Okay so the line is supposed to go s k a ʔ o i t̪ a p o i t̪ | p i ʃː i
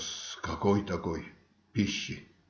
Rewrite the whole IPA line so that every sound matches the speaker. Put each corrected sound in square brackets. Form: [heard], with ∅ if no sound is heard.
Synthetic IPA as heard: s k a [k] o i t̪ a [k] o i [∅] | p i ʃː i